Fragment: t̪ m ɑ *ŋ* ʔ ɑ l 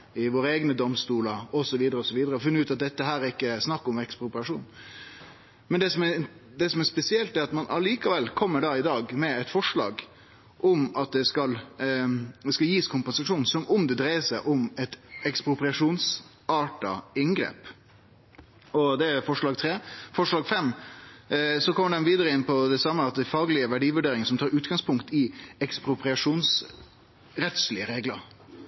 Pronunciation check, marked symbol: incorrect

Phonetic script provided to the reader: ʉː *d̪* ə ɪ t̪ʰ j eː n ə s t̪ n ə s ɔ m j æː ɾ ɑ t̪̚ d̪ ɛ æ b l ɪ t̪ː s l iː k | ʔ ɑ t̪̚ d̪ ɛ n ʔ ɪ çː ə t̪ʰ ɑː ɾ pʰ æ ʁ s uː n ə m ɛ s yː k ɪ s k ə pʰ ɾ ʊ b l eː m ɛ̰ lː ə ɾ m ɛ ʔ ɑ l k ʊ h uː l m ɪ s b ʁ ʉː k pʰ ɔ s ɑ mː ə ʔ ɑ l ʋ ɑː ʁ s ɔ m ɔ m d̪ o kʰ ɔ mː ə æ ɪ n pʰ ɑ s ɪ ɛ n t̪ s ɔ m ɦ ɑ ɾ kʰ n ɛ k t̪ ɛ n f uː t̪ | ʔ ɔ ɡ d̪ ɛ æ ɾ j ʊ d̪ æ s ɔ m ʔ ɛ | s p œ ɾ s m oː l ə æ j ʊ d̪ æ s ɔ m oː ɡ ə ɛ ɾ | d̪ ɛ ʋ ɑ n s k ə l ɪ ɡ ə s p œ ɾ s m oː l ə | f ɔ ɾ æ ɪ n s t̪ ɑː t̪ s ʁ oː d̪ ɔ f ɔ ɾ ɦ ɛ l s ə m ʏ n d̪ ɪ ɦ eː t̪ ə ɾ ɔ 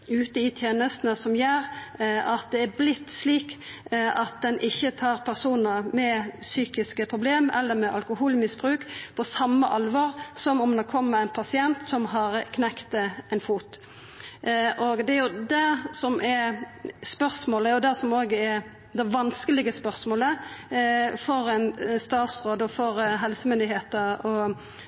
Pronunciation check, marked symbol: incorrect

